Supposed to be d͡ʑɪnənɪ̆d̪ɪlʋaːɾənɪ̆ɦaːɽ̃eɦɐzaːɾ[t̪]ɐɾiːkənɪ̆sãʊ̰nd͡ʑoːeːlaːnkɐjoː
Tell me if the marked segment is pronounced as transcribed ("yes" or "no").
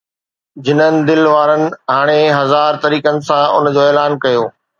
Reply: yes